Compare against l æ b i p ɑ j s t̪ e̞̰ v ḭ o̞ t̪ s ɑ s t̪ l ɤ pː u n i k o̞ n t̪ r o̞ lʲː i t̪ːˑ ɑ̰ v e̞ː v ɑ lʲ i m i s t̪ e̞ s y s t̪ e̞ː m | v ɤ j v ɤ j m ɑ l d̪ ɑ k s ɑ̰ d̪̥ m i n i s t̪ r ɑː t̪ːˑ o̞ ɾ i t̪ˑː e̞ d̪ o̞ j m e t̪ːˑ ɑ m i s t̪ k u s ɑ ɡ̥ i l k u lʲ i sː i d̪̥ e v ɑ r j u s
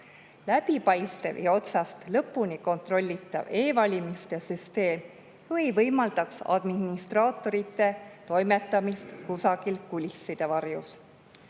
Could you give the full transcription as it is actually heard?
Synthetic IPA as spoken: l æ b i p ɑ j s t̪ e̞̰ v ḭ o̞ t̪ s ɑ s t̪ l ɤ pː u n i k o̞ n t̪ r o̞ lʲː i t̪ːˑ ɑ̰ v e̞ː v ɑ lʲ i m i s t̪ e̞ s y s t̪ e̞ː m | v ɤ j v ɤ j m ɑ l d̪ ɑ k s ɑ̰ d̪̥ m i n i s t̪ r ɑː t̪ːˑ o̞ ɾ i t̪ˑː e̞ t̪ o̞ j m e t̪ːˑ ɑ m i s t̪ k u s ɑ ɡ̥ i l k u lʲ i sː i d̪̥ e v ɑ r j u s